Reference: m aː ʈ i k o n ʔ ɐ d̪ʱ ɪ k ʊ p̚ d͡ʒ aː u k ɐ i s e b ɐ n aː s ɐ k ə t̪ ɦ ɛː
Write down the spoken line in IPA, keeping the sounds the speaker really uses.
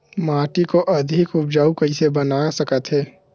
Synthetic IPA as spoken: m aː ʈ i k o ʔ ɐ d̪ʱ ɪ k ʊ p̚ d͡ʒ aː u k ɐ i s e b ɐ n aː s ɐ k ə t̪ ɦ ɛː